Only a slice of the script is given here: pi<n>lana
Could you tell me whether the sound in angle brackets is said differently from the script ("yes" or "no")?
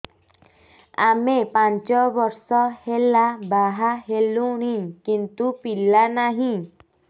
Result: yes